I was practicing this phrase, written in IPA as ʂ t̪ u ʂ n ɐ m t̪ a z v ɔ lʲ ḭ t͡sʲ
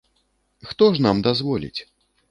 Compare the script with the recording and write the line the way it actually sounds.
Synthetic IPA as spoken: x t̪ ɔ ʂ n a m d̪ a z v ɔ lʲ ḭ t͡sʲ